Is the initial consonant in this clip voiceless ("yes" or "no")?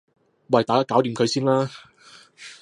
no